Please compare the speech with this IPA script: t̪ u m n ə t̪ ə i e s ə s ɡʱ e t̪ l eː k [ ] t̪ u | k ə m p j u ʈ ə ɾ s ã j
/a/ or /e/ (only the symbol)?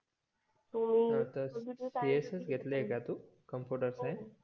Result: a